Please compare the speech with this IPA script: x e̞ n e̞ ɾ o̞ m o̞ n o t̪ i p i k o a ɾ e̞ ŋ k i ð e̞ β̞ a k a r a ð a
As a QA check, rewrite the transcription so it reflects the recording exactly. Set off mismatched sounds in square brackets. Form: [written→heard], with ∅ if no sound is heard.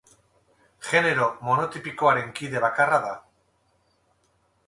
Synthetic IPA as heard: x e̞ n e̞ ɾ o̞ m o̞ n o t̪ i p i k o a ɾ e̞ ŋ k i ð e̞ β̞ a k a r a ð a